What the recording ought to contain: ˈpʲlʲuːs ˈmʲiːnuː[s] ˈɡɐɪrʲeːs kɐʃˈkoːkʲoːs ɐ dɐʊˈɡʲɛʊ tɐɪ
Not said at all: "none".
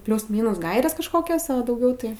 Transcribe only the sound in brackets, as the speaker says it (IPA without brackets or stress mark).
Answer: s